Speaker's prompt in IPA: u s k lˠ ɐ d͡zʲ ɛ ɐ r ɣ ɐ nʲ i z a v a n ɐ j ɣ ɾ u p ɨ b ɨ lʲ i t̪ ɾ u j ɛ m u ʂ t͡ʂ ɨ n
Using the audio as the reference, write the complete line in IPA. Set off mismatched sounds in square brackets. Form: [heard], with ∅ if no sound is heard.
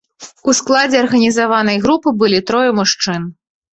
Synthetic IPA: u s k lˠ [a] d͡zʲ ɛ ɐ r ɣ ɐ nʲ i z a v a n ɐ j ɣ ɾ u p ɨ b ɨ lʲ i t̪ ɾ [ɔ] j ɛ m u ʂ t͡ʂ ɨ n